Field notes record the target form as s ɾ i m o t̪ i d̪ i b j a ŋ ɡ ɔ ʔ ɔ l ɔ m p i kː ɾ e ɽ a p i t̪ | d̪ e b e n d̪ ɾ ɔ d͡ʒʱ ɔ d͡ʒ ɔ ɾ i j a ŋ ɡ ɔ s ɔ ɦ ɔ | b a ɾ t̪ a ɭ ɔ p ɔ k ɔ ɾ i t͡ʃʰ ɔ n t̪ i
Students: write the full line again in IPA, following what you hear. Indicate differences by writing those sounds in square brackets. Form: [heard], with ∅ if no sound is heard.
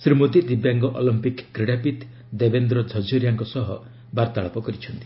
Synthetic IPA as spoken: s ɾ i m o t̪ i d̪ i b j a ŋ ɡ ɔ ʔ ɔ l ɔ m p i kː ɾ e ɽ a p i t̪ | d̪ e b e n d̪ ɾ ɔ d͡ʒʱ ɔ d͡ʒ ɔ ɾ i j a ŋ [k] ɔ s ɔ ɦ ɔ | b a ɾ t̪ a ɭ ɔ p ɔ k ɔ ɾ i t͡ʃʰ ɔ n t̪ i